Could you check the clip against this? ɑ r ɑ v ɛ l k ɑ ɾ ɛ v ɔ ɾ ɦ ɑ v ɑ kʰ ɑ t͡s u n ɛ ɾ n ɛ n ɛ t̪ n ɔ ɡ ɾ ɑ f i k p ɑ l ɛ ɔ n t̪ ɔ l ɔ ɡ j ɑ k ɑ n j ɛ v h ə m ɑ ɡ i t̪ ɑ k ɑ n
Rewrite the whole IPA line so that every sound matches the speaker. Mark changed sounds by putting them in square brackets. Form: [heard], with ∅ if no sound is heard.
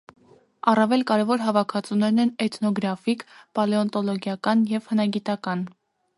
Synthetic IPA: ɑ r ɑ v ɛ l k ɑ ɾ ɛ v ɔ ɾ ɦ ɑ v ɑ kʰ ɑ t͡s u n ɛ ɾ n ɛ n ɛ t̪ n ɔ ɡ ɾ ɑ f i k p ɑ l ɛ ɔ n t̪ ɔ l ɔ ɡ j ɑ k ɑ n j ɛ v h ə [n] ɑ ɡ i t̪ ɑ k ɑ n

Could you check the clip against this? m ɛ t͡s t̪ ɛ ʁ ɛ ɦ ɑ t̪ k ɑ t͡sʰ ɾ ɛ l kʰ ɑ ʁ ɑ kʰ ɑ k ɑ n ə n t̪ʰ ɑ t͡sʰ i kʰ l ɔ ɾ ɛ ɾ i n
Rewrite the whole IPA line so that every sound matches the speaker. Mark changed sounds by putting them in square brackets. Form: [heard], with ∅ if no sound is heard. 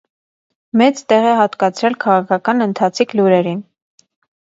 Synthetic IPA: m ɛ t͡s t̪ ɛ ʁ ɛ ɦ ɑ t̪ k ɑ t͡sʰ ɾ ɛ l kʰ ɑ ʁ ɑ kʰ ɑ k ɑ n ə n t̪ʰ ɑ t͡sʰ i kʰ l [u] ɾ ɛ ɾ i n

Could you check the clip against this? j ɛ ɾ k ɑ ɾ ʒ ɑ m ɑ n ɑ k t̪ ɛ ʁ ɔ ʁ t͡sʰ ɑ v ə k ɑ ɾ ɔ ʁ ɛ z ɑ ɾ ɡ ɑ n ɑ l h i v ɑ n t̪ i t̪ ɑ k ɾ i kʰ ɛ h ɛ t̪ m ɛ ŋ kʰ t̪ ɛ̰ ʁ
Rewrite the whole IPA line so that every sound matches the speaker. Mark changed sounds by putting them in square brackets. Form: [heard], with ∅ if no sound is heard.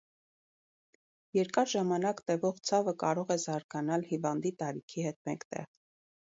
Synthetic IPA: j ɛ ɾ k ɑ ɾ ʒ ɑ m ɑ n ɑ k t̪ ɛ [v] ɔ ʁ t͡sʰ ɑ v ə k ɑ ɾ ɔ ʁ ɛ z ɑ ɾ ɡ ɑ n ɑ l h i v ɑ n [d̪] i t̪ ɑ [∅] ɾ i kʰ [i] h ɛ t̪ m ɛ ŋ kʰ t̪ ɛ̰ ʁ

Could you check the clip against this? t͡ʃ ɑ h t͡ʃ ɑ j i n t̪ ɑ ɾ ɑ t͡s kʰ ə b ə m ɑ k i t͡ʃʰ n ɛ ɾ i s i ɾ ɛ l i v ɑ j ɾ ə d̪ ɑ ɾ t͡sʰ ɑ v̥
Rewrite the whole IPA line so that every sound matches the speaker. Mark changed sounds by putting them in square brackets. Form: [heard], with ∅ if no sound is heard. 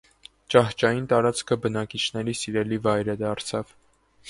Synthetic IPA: t͡ʃ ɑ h t͡ʃ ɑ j i n t̪ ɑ ɾ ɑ t͡s kʰ ə b ə [n] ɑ k i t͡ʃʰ n ɛ ɾ i s i ɾ ɛ l i v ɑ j ɾ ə d̪ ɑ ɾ t͡sʰ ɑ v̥

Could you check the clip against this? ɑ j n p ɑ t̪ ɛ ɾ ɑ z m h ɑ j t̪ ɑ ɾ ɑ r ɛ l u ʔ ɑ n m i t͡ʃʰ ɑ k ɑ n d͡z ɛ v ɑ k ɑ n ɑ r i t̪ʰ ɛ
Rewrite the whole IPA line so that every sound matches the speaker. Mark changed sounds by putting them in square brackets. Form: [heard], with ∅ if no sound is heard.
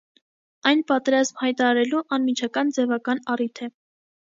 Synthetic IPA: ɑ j n p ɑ t̪ ɛ ɾ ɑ z m h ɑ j t̪ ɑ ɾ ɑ [ɾ] ɛ l u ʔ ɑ n m i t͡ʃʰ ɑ k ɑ n d͡z ɛ v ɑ k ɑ n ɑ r i t̪ʰ ɛ

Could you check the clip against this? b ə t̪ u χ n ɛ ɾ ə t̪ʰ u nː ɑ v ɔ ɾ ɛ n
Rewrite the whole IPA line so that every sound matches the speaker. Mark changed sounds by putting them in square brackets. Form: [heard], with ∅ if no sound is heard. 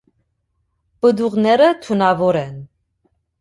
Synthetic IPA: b ə [d̪] u [ʁ] n ɛ ɾ ə t̪ʰ u [n] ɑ v ɔ ɾ ɛ n

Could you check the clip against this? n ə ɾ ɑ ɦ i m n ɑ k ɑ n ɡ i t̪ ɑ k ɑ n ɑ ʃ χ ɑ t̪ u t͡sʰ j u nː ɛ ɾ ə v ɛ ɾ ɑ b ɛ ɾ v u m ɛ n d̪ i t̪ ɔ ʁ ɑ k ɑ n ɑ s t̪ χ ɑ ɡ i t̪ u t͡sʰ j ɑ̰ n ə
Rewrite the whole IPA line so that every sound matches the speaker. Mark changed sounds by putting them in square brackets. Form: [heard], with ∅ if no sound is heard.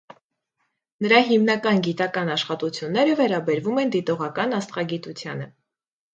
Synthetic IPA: n ə ɾ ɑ ɦ i m n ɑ k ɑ n ɡ i t̪ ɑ k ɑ n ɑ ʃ χ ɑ t̪ u t͡sʰ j u nː ɛ ɾ ə v ɛ ɾ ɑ b ɛ ɾ v u m ɛ n d̪ i t̪ ɔ ʁ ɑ k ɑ n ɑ s t̪ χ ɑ ɡ i t̪ u t͡sʰ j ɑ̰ n ə

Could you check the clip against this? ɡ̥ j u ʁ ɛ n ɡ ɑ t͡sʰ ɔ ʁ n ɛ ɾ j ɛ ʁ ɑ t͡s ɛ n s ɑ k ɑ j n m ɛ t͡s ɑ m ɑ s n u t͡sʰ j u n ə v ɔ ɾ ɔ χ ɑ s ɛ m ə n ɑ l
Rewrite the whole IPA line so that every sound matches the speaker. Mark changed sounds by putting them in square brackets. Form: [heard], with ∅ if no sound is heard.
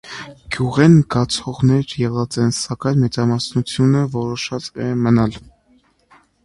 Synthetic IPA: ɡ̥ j u ʁ ɛ n ɡ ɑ t͡sʰ ɔ ʁ n ɛ ɾ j ɛ ʁ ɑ t͡s ɛ n s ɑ k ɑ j n m ɛ t͡s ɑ m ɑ s n u t͡sʰ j u n ə v ɔ ɾ ɔ [ʃ] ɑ [t͡s] ɛ m ə n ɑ l

